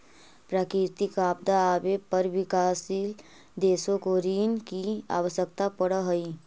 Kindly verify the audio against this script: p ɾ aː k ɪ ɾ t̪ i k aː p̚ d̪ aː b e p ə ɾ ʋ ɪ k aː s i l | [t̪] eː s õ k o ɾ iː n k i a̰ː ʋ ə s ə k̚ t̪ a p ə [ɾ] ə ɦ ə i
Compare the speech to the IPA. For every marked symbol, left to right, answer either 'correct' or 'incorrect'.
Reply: incorrect, incorrect

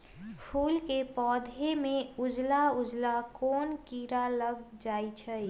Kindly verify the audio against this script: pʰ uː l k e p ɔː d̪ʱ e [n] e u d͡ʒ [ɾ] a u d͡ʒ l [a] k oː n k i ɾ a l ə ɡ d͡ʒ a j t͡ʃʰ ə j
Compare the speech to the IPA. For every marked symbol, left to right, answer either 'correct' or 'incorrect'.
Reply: incorrect, incorrect, correct

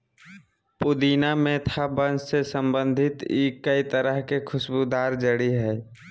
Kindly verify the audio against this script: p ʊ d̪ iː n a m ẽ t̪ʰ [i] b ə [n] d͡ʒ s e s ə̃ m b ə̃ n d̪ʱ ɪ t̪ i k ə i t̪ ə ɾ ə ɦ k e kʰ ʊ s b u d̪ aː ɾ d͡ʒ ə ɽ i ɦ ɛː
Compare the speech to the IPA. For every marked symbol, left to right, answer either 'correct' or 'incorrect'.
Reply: incorrect, correct

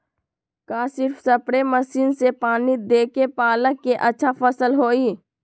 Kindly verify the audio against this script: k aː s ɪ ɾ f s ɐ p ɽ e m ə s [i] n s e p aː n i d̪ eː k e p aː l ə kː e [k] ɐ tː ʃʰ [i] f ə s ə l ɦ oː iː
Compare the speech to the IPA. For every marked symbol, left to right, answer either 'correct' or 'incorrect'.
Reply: incorrect, incorrect, incorrect

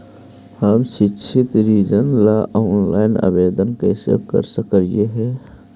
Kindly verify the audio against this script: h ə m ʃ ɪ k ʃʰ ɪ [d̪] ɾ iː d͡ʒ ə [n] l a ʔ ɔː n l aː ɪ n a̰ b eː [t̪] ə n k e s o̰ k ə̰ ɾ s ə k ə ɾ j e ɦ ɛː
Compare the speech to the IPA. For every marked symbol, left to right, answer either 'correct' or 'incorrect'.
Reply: incorrect, correct, incorrect

